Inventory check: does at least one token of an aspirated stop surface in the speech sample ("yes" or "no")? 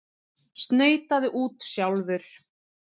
no